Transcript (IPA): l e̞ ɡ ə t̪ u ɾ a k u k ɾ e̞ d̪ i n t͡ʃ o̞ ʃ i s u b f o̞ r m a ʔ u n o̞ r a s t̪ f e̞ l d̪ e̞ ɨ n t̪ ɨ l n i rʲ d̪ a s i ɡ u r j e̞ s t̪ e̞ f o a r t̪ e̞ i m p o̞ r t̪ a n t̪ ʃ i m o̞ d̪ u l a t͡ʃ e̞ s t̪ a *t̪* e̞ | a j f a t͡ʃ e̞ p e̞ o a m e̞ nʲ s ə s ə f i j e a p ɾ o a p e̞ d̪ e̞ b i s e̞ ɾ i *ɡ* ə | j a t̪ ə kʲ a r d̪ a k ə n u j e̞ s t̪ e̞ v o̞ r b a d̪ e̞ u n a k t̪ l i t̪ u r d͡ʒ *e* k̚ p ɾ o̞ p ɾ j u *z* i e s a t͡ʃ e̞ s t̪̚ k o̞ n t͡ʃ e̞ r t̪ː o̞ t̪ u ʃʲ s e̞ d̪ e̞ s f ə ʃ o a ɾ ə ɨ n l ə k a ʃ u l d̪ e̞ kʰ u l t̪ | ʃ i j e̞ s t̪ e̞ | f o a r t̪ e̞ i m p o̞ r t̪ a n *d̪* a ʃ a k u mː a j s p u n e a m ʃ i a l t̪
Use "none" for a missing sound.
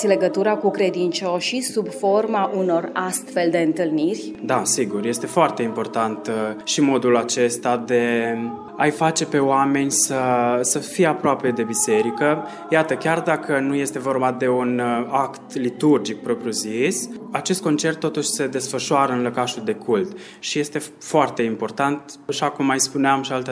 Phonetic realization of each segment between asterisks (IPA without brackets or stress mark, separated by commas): d̪, k, i, z, t̪